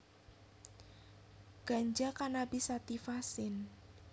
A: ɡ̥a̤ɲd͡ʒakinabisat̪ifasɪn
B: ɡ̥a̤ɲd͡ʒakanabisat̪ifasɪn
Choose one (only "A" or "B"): B